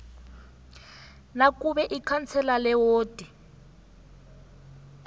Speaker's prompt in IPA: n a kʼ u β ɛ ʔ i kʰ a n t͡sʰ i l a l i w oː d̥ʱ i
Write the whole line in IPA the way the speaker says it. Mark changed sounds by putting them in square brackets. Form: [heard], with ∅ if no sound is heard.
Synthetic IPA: n a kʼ u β ɛ ʔ i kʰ a n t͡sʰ [ɛ] l a l [ɛ] w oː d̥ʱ i